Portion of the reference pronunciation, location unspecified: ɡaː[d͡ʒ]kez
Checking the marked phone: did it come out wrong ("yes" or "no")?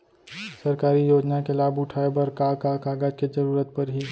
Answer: no